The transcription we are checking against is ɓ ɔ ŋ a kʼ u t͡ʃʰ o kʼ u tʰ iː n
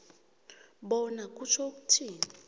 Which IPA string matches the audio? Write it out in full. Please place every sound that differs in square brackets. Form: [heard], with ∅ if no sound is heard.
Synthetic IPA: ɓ ɔ [n] a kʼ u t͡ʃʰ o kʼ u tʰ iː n